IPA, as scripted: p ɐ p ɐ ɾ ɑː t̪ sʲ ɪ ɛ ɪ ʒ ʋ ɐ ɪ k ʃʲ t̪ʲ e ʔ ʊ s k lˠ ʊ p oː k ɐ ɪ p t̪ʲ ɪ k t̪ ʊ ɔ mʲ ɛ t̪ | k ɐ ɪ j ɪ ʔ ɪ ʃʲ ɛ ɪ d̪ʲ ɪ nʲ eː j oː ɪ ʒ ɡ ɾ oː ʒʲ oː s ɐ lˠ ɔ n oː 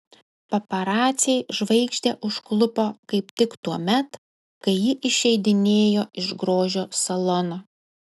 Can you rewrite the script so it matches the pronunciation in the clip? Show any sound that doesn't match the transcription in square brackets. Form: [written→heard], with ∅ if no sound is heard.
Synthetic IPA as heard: p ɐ p ɐ ɾ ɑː t̪ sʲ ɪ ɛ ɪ ʒ ʋ ɐ ɪ k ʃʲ t̪ʲ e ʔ ʊ [s→ʃ] k lˠ ʊ p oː k ɐ ɪ p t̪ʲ ɪ k t̪ [ʊ→u] ɔ mʲ ɛ t̪ | k ɐ ɪ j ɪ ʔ ɪ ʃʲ ɛ ɪ d̪ʲ ɪ nʲ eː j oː ɪ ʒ ɡ ɾ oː ʒʲ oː s ɐ lˠ ɔ n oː